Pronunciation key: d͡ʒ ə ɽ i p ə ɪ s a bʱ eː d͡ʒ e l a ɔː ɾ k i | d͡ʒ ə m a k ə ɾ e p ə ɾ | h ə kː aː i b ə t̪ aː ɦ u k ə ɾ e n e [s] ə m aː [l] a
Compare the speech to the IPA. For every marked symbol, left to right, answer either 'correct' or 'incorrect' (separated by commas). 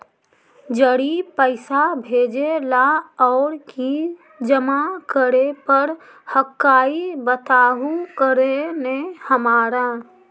incorrect, incorrect